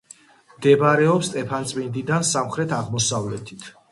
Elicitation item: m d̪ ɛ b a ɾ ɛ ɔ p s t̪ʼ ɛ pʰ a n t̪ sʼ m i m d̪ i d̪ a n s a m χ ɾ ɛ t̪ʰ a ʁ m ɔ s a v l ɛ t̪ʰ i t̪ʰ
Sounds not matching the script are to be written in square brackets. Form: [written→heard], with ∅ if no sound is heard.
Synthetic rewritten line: m d̪ ɛ b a ɾ ɛ ɔ p s t̪ʼ ɛ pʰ a n t̪ sʼ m i [m→n] d̪ i d̪ a n s a m χ ɾ ɛ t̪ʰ a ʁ m ɔ s a v l ɛ t̪ʰ i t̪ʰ